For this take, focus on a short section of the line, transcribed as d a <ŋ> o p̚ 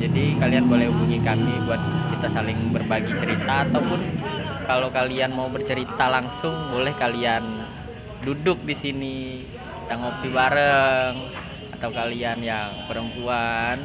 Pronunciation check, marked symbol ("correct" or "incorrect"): correct